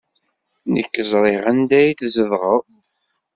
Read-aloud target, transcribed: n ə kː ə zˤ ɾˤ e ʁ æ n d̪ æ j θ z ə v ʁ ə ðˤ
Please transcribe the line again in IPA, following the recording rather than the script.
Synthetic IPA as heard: n ə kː ə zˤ ɾˤ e ʁ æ n d̪ æ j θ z ə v ʁ ə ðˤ